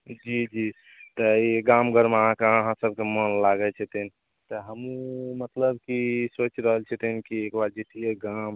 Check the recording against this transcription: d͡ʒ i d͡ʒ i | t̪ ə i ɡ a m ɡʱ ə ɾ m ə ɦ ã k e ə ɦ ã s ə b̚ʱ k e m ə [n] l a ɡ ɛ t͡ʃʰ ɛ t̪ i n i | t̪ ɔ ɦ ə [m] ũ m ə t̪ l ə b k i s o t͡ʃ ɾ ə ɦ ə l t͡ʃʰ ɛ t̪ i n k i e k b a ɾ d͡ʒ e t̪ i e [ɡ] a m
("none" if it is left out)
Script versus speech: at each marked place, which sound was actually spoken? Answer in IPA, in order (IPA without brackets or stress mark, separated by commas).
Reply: n, m, ɡ